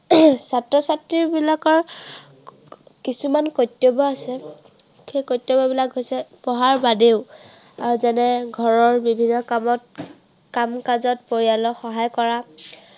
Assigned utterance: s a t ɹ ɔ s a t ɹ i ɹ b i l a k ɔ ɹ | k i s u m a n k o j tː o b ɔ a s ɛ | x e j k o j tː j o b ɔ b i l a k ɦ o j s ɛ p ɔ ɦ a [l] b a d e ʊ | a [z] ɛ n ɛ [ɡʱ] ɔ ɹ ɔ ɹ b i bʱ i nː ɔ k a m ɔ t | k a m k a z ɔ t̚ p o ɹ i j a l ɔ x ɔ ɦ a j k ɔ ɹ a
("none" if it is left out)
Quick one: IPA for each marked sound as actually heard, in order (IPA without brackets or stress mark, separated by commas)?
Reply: ɹ, z, ɡʱ